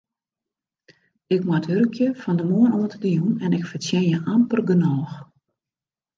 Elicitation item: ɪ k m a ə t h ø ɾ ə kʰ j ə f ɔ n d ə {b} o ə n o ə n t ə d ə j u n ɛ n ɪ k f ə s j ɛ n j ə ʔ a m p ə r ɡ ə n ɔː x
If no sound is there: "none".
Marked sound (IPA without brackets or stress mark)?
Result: m